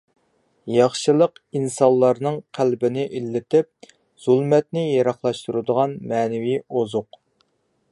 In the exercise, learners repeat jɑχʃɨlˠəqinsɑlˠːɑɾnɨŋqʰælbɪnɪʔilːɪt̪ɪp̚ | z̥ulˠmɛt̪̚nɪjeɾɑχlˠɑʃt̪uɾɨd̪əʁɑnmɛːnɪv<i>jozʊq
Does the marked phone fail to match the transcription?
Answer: no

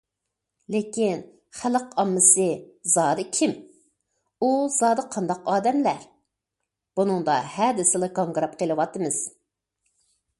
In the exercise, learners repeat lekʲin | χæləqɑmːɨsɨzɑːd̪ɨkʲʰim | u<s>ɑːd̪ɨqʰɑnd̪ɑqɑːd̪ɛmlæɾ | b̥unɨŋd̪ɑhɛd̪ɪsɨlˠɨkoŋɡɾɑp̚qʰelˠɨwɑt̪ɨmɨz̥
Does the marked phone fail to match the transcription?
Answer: yes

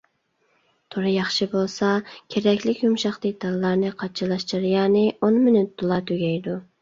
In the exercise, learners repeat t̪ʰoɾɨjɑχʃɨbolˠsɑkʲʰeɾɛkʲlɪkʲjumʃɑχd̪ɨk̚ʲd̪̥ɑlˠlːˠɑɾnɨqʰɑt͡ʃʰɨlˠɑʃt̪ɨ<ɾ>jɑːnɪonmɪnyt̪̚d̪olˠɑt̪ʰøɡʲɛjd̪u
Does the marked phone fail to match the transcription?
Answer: no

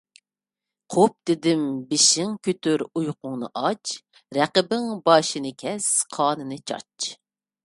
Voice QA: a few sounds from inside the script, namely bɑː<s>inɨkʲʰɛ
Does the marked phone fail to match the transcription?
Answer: yes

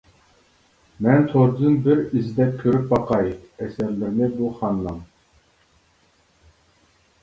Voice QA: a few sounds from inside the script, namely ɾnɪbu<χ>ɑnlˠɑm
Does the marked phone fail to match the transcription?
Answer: no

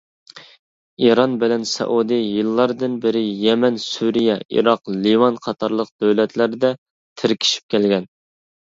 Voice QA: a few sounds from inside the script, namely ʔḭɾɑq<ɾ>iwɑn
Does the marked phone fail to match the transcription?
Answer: yes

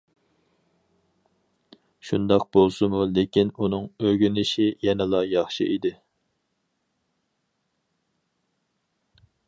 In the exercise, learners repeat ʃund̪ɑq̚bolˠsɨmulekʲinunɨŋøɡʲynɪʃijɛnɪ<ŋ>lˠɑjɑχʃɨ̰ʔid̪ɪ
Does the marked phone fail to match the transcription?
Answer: yes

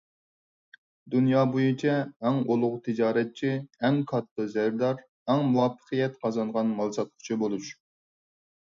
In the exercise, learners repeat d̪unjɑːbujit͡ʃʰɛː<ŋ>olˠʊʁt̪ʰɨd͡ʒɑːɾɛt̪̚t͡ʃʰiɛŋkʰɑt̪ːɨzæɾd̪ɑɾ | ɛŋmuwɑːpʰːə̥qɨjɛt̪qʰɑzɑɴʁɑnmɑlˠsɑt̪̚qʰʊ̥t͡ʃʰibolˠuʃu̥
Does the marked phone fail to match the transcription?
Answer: no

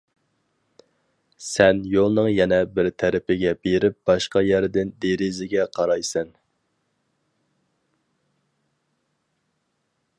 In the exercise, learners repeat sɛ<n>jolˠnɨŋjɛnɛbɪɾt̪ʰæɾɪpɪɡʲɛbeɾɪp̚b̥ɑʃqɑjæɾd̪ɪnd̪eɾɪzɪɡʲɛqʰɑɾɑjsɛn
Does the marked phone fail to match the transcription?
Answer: no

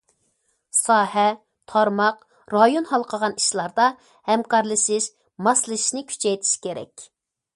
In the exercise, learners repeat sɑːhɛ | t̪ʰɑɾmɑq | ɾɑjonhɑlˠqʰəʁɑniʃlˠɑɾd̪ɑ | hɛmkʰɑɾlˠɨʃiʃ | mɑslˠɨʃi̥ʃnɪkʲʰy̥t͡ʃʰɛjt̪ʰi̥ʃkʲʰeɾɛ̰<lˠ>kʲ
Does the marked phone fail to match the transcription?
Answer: yes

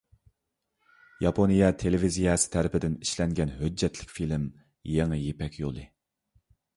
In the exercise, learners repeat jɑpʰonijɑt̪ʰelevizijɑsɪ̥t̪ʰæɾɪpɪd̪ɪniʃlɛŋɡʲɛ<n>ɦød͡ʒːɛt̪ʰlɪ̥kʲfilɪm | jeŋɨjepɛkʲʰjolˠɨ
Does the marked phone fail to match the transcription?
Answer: no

